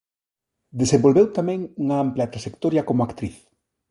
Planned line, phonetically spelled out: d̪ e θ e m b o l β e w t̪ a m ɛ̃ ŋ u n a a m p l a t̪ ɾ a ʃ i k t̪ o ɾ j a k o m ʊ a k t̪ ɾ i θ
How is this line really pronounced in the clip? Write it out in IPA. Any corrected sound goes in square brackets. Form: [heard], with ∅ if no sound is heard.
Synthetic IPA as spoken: d̪ e [s] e m b o l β e w t̪ a m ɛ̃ ŋ u [ŋ] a a m p l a t̪ ɾ a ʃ [e] k t̪ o ɾ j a k o m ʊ a k t̪ ɾ i θ